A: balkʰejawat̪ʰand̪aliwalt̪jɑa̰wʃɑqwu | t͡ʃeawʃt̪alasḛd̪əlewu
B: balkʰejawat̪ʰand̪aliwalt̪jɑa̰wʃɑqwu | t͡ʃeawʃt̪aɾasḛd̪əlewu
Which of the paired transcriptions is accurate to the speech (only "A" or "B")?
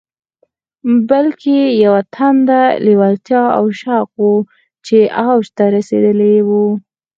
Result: B